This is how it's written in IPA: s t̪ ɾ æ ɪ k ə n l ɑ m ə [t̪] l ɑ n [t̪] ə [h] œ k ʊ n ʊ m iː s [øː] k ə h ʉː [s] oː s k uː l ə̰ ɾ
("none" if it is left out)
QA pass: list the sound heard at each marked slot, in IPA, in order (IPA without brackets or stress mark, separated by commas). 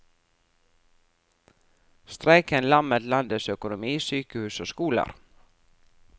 t̪, d̪, s, yː, s